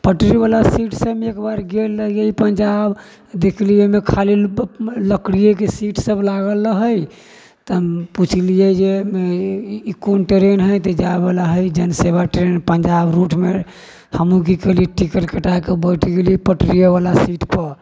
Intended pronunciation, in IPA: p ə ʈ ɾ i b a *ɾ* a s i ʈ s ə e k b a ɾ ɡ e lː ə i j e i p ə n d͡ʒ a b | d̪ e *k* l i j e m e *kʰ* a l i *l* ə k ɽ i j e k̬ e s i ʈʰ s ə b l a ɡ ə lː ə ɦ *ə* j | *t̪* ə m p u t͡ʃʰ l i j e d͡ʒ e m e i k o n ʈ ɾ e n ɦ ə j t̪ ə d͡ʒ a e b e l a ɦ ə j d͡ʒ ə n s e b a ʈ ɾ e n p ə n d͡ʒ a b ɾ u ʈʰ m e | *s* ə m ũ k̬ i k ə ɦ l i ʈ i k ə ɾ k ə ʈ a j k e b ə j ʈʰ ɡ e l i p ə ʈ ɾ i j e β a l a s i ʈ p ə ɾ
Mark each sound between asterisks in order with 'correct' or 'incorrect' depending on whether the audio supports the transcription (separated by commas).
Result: incorrect, incorrect, correct, correct, correct, correct, incorrect